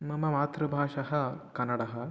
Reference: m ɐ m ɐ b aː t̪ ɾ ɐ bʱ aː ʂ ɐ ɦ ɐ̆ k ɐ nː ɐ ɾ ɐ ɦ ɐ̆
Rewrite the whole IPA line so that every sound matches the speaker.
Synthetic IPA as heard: m ɐ m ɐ m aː t̪ ɾ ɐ bʱ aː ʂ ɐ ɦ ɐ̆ k ɐ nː ɐ ɽ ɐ ɦ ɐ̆